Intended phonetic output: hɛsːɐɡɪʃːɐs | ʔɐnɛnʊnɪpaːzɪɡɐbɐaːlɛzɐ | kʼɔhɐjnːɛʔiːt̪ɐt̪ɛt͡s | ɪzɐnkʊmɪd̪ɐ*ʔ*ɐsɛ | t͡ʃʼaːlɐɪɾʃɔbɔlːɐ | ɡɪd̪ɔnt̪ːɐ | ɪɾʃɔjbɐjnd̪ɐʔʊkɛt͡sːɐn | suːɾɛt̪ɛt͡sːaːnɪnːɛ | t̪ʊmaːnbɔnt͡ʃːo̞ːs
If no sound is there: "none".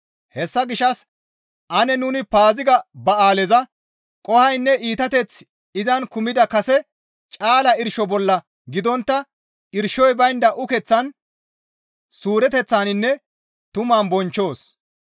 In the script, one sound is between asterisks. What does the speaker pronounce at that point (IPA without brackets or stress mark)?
k